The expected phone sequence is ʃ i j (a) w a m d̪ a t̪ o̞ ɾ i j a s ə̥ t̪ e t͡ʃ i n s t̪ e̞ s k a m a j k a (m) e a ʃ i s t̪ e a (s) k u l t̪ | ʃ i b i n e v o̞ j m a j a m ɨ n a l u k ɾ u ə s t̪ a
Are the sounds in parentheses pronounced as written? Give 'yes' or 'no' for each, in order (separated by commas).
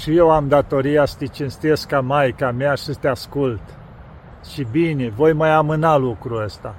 no, yes, yes